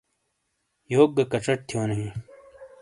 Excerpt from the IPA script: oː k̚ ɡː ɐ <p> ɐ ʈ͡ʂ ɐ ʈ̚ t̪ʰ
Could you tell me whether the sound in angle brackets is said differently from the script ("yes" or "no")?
yes